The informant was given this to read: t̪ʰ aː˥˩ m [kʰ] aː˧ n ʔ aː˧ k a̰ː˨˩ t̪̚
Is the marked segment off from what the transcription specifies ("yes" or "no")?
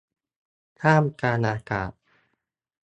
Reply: yes